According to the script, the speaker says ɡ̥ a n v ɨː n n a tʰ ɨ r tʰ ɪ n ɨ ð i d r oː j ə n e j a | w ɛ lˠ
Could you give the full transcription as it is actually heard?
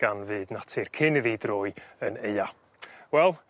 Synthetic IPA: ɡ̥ a n v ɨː d n a tʰ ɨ r kʰ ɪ n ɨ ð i d r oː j ə n e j a | w ɛ lˠ